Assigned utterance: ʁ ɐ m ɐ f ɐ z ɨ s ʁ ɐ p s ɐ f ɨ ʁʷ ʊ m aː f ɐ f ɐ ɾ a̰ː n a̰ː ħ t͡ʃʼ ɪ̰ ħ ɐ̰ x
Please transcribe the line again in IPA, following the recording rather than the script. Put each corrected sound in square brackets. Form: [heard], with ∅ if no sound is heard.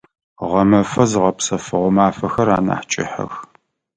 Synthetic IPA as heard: ʁ ɐ m ɐ f ɐ z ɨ [∅] ʁ ɐ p s ɐ f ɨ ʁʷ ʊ m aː f ɐ [x] ɐ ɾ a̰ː n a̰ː ħ t͡ʃʼ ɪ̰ ħ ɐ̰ x

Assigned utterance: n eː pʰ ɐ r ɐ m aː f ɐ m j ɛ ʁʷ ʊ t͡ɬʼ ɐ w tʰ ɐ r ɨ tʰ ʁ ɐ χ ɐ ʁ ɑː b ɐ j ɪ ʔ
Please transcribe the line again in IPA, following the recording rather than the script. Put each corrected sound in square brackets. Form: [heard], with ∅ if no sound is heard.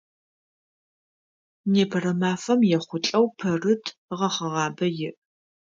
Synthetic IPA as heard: n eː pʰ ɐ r ɐ m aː f ɐ m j ɛ [χʷ] ʊ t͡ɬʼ ɐ w [pʰ] ɐ r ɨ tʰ ʁ ɐ χ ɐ ʁ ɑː b ɐ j ɪ ʔ

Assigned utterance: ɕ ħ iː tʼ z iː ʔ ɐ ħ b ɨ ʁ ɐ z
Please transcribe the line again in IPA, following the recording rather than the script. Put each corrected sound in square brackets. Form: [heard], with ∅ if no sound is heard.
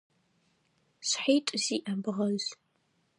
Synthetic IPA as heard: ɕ ħ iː tʼ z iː ʔ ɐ [∅] b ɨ ʁ ɐ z

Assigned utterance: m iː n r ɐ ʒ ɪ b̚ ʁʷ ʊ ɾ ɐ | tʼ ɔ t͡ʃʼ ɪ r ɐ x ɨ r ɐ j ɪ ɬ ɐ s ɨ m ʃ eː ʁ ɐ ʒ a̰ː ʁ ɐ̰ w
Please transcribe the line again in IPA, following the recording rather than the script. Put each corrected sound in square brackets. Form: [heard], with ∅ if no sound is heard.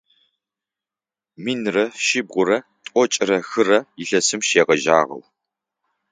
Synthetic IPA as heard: m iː n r ɐ [ʃ] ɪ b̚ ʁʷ ʊ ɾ ɐ | tʼ ɔ t͡ʃʼ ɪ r ɐ x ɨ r ɐ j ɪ ɬ ɐ s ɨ m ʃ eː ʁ ɐ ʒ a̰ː ʁ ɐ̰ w

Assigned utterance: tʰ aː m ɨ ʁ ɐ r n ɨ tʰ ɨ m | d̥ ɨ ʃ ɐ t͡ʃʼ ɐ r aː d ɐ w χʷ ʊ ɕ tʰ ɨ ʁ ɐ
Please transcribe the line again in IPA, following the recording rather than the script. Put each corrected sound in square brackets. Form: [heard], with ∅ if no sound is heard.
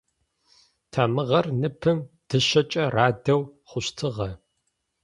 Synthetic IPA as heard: tʰ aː m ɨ ʁ ɐ r n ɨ [pʰ] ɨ m | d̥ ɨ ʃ ɐ t͡ʃʼ ɐ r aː d ɐ w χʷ ʊ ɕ tʰ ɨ ʁ ɐ

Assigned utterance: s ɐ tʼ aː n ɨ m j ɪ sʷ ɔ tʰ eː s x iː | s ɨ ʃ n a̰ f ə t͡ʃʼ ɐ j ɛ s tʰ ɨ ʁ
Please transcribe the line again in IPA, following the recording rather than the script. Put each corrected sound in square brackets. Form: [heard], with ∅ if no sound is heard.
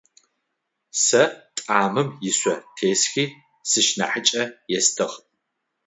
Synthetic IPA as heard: s ɐ tʼ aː [m] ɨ m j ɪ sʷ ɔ tʰ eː s x iː | s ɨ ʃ n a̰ [ħ] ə t͡ʃʼ ɐ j ɛ s tʰ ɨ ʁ

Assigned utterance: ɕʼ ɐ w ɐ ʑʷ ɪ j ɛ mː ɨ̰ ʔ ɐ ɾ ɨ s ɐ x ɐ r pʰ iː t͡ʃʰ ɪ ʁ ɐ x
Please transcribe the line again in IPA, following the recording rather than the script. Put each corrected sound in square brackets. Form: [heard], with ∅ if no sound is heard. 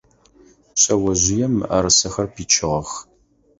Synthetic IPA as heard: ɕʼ ɐ w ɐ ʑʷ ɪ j ɛ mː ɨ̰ ʔ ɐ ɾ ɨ s ɐ x ɐ r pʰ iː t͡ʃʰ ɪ ʁ ɐ x

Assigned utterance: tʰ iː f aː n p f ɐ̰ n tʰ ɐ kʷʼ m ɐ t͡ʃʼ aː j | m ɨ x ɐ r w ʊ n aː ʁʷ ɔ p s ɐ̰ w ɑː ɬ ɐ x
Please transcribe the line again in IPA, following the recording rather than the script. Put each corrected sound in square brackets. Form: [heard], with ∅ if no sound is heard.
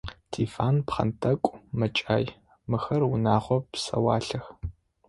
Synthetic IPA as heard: tʰ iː f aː n p [χ] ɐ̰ n tʰ ɐ kʷʼ m ɐ t͡ʃʼ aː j | m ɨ x ɐ r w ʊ n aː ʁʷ ɔ p s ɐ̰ w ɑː ɬ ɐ x

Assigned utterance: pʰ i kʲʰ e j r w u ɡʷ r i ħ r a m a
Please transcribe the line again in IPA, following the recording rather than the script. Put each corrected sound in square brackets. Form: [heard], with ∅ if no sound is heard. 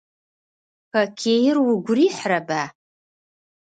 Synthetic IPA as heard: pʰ [a] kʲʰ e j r w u ɡʷ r i ħ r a [b] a

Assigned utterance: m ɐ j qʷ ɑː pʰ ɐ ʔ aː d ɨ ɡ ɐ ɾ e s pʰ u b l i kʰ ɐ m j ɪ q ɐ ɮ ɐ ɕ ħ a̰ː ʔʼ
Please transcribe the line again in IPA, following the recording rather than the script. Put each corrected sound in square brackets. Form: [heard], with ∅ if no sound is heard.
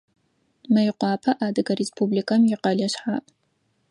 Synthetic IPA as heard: m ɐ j qʷ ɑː pʰ ɐ ʔ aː d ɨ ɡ ɐ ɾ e s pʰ u b l i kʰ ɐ m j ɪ q ɐ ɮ ɐ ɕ ħ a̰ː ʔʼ

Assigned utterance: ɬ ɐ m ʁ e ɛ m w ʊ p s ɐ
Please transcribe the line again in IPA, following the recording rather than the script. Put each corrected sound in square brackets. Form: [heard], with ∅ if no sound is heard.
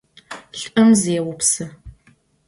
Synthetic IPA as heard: ɬ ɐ m [z] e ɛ [∅] w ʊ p s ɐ

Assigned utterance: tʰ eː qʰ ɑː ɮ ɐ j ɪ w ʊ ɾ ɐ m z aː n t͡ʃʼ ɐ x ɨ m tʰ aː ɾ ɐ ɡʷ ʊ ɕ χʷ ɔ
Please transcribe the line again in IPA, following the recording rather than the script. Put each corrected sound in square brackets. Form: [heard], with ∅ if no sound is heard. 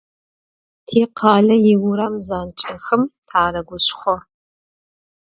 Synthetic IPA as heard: tʰ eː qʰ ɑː ɮ ɐ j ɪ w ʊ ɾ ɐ m z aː n t͡ʃʼ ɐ x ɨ m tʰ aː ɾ ɐ ɡʷ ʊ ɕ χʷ ɔ

